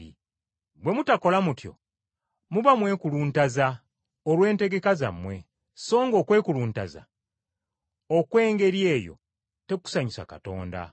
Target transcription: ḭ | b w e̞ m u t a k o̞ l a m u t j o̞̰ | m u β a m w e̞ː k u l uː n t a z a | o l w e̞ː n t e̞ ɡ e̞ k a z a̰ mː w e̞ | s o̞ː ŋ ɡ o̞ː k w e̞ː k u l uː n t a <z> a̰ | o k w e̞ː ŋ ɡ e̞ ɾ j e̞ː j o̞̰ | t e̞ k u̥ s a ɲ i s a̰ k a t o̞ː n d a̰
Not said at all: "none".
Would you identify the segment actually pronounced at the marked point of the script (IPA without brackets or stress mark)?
z